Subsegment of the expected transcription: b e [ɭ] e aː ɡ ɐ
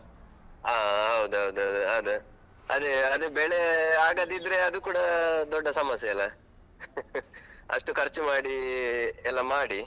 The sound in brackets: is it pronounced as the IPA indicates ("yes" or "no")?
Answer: yes